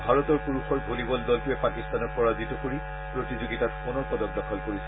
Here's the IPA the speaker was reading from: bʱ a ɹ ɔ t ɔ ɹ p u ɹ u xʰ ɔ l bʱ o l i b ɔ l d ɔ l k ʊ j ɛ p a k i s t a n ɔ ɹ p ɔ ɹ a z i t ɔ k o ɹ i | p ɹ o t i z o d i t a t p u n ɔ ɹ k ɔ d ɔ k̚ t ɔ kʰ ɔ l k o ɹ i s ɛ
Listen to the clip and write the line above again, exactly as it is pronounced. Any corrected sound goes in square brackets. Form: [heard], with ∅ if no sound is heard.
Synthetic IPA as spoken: bʱ a ɹ ɔ t ɔ ɹ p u ɹ u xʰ ɔ [ɹ] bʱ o l i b ɔ l d ɔ l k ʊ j ɛ p a k i s t a n ɔ ɹ p ɔ ɹ a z i t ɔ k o ɹ i | p ɹ o t i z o [ɡ] i t a t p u n ɔ ɹ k ɔ d ɔ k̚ [d] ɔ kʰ ɔ l k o ɹ i s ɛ